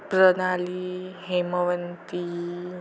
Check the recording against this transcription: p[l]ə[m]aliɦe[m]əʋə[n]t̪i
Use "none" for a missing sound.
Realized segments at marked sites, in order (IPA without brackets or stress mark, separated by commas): ɾ, n, m, n